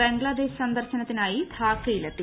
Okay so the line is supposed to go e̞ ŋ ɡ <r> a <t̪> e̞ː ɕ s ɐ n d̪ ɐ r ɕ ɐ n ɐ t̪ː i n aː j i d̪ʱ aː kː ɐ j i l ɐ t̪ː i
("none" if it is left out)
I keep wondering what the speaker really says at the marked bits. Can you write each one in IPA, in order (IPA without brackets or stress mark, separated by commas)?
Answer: ɭ, d̪